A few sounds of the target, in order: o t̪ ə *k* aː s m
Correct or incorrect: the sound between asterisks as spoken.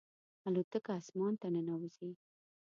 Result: correct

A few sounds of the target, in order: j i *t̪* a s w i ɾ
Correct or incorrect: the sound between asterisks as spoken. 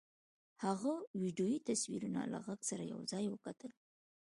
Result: correct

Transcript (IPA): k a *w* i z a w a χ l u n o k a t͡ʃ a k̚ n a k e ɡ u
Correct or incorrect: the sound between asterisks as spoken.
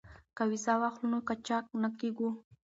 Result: correct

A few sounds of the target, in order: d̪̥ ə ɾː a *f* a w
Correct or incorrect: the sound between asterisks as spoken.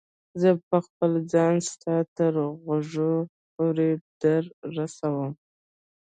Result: incorrect: s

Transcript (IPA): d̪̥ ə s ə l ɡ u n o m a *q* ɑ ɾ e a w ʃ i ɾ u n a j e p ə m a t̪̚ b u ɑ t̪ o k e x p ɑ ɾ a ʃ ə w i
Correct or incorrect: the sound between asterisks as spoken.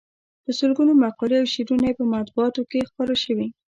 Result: correct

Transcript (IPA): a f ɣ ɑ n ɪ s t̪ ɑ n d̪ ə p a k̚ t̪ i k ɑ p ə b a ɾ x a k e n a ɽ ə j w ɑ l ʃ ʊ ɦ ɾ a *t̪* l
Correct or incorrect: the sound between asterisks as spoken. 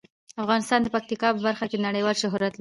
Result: correct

